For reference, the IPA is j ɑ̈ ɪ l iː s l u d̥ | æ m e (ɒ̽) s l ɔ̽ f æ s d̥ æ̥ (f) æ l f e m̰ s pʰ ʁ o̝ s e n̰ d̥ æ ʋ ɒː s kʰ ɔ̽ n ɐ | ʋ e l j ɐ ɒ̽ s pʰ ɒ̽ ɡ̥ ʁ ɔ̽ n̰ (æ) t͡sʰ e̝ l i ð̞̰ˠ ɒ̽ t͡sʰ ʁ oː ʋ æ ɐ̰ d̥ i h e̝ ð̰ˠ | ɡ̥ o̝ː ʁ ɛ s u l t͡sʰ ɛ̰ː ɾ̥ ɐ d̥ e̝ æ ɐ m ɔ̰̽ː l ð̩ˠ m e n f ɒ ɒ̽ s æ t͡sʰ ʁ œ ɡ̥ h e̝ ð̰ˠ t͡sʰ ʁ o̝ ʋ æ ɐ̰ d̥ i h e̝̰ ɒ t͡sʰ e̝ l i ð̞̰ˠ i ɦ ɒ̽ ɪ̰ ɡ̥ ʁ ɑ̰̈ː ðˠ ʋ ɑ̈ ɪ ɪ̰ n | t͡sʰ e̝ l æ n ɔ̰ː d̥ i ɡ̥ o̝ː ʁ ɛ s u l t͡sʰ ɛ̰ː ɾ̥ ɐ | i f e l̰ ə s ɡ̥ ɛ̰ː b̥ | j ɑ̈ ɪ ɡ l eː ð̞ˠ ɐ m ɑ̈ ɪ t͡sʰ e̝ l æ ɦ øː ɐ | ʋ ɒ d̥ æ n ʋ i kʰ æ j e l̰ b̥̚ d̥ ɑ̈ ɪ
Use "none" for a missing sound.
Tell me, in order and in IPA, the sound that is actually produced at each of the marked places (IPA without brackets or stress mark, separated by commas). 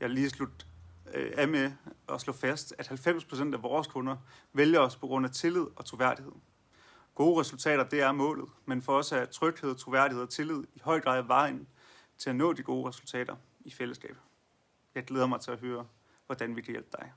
ɒ̽, h, æ